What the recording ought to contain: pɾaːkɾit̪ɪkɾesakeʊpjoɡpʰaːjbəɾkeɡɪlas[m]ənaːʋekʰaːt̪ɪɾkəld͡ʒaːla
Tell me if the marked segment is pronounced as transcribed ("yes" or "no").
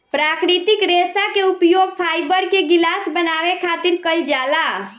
no